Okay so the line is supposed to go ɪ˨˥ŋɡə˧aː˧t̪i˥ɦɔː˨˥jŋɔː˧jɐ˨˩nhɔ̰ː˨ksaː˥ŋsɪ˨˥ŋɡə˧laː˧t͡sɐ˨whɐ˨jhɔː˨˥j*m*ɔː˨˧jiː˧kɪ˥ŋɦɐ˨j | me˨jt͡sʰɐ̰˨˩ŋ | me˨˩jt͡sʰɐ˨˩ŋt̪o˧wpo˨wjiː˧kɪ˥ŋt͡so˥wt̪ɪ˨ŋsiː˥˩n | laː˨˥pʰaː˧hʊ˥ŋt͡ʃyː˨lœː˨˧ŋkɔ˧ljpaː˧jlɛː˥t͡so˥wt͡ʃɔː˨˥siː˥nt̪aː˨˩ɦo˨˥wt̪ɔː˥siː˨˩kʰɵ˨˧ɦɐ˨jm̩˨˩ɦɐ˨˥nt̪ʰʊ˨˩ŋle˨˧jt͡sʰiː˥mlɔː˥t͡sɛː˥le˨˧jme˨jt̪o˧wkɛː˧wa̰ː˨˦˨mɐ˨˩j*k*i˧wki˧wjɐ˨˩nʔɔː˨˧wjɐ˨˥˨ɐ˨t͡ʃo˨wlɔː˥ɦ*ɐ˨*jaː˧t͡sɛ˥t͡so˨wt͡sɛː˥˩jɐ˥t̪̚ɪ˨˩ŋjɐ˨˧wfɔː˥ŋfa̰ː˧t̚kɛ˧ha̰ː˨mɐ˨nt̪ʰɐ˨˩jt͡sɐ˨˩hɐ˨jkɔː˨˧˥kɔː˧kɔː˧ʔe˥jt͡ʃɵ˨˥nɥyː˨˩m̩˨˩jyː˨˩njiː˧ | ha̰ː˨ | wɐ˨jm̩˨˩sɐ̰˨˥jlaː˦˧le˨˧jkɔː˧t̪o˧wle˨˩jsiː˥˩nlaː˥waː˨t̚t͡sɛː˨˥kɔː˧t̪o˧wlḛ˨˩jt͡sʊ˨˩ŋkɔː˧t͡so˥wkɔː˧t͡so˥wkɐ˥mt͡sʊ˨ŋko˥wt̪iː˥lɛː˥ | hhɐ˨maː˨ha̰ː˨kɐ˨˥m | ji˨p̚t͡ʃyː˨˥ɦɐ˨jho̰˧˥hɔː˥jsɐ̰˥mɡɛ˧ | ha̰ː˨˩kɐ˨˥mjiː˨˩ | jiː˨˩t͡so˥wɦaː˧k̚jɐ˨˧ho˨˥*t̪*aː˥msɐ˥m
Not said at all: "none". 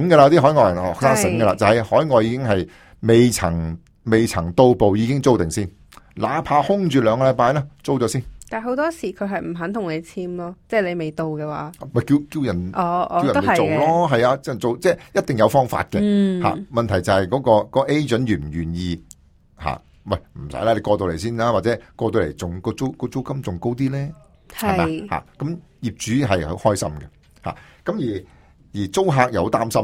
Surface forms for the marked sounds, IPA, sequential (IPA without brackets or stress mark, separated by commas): ŋ, k, ɐ˨, t̪